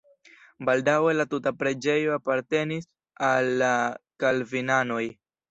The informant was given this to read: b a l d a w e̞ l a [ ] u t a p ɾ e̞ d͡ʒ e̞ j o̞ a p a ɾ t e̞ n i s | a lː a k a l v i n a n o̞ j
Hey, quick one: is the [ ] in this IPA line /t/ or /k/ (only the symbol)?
t